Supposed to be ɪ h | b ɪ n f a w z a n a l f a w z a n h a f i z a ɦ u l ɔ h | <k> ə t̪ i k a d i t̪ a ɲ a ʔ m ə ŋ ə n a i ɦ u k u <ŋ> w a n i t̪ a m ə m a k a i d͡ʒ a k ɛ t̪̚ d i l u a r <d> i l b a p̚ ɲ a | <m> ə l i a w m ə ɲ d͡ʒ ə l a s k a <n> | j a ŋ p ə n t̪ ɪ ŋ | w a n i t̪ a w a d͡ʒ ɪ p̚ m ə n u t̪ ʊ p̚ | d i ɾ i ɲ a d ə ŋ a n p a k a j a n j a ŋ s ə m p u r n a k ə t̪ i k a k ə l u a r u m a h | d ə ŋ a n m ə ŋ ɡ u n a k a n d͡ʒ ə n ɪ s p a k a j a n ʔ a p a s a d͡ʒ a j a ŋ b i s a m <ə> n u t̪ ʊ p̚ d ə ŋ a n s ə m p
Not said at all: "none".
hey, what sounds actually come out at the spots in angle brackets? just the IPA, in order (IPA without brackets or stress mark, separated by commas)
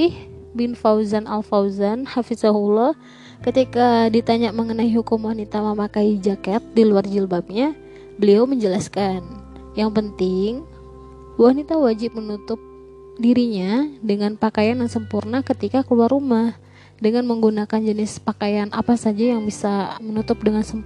k, m, d͡ʒ, b, n, ə